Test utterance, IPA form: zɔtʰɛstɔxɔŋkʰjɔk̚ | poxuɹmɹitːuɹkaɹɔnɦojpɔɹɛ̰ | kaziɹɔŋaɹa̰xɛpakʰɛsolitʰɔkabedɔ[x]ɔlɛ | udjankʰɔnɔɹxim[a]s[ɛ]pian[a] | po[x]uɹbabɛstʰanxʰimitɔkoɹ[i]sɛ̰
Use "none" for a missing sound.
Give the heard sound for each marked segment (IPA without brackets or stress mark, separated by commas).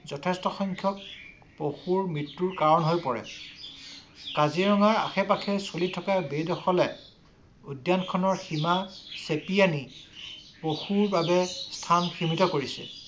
x, a, e, i, x, i